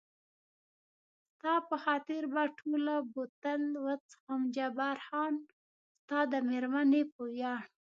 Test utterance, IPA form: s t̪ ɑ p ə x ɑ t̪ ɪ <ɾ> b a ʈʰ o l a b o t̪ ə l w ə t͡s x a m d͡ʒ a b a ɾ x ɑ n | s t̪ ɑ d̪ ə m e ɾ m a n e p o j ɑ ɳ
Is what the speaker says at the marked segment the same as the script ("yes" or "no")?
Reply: yes